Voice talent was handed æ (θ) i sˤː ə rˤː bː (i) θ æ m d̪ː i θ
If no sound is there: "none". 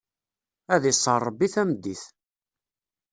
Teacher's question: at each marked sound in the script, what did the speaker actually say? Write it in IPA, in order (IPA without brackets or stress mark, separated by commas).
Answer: ð, i